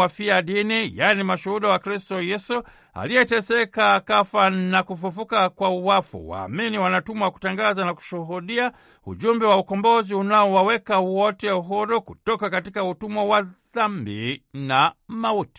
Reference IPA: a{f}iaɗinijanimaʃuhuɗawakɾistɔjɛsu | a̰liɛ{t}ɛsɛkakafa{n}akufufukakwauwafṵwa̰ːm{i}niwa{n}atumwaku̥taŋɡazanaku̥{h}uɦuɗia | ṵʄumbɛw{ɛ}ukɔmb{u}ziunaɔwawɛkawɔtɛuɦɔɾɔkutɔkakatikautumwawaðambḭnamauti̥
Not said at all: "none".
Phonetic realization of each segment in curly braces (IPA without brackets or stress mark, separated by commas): f, t, n, i, n, ʃ, a, ɔ